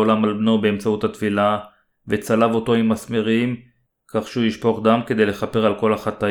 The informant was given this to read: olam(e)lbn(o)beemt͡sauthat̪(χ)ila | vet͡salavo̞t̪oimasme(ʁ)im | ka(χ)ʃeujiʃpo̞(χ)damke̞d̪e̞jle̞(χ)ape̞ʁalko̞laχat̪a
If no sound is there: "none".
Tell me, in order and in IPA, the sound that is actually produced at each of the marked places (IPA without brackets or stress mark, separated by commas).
a, o, f, ʁ, χ, χ, χ